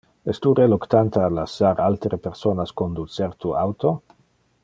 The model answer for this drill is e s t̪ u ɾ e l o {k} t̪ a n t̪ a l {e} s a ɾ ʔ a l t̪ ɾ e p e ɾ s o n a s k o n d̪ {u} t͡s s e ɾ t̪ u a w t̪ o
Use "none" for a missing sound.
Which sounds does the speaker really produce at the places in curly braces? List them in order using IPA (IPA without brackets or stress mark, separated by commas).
k, a, u